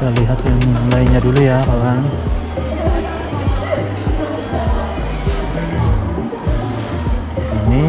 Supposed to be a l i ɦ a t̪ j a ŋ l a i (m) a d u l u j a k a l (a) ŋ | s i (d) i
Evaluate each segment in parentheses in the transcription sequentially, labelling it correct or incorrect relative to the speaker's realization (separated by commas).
incorrect, correct, incorrect